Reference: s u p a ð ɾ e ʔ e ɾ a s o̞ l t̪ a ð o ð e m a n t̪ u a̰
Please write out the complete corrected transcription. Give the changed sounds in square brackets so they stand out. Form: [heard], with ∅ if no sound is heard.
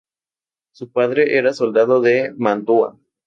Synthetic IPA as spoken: s u p a ð ɾ e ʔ e ɾ a s o̞ l [d̪] a ð o ð e m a n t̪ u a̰